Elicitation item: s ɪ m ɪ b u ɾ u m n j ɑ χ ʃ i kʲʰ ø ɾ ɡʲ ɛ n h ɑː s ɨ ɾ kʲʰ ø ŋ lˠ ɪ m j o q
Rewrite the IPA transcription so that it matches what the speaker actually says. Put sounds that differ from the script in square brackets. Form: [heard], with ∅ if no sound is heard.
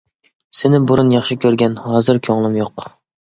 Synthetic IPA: s ɪ [n] ɪ b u ɾ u [∅] n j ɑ χ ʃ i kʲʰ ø ɾ ɡʲ ɛ n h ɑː [z] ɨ ɾ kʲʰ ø ŋ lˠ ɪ m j o q